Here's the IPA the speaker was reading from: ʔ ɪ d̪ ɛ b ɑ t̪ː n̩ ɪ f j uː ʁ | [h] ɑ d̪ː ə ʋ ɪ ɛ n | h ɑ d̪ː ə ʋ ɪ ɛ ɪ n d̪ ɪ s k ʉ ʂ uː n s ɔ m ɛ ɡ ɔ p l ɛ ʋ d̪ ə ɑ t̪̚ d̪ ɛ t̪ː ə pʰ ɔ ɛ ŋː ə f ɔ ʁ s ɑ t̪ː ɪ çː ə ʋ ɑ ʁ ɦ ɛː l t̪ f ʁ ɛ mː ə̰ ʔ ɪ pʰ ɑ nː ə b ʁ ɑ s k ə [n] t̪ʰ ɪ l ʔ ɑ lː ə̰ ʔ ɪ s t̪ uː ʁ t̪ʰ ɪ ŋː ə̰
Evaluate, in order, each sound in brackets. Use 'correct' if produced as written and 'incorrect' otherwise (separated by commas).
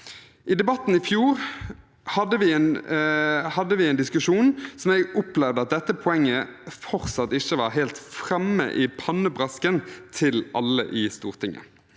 correct, correct